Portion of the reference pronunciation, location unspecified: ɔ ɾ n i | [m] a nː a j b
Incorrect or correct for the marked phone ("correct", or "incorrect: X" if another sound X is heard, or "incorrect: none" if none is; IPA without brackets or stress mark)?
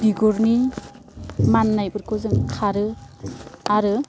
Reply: correct